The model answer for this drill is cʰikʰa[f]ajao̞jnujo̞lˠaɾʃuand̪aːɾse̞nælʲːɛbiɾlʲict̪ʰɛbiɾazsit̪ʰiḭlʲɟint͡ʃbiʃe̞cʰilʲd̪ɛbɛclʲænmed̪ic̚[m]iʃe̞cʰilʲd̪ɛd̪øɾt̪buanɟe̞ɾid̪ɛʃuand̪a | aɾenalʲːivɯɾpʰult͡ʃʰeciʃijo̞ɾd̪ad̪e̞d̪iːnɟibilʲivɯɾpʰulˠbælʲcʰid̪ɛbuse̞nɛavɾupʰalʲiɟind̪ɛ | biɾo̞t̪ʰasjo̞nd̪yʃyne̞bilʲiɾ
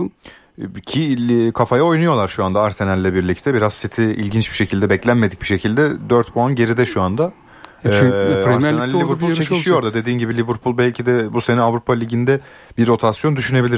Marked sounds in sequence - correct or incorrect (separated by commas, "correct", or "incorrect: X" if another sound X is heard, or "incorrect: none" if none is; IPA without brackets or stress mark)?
correct, incorrect: b